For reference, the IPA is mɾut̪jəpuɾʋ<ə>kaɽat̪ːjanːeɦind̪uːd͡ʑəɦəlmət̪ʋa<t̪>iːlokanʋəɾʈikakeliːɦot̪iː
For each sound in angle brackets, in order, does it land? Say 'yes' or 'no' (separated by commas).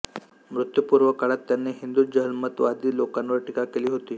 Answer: yes, no